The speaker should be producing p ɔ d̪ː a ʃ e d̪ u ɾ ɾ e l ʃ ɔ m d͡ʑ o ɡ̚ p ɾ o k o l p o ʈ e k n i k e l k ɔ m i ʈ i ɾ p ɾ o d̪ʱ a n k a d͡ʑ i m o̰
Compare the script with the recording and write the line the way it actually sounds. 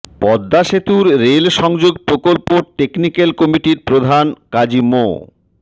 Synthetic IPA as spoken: p ɔ d̪ː a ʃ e t̪ u ɾ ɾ e l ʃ ɔ ŋ d͡ʑ o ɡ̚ p ɾ o k o l p o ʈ e k n i k e l k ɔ m i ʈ i ɾ p ɾ o d̪ʱ a n k a d͡ʑ i m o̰